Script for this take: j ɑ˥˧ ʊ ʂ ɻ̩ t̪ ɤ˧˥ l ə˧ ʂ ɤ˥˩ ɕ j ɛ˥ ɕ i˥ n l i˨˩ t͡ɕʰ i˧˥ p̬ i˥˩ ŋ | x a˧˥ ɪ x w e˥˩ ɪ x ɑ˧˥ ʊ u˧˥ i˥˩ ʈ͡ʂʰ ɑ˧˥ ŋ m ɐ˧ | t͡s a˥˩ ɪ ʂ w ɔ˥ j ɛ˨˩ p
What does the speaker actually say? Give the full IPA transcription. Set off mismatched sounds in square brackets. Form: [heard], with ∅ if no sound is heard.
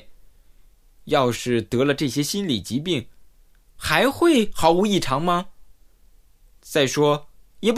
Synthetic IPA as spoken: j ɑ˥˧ ʊ ʂ ɻ̩ t̪ ɤ˧˥ l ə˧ [ʈ͡ʂ] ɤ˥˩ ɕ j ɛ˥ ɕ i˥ n l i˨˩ [t͡ɕ] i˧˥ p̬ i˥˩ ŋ | x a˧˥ ɪ x w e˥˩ ɪ x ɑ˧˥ ʊ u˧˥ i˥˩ ʈ͡ʂʰ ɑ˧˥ ŋ m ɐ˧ | t͡s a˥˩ ɪ ʂ w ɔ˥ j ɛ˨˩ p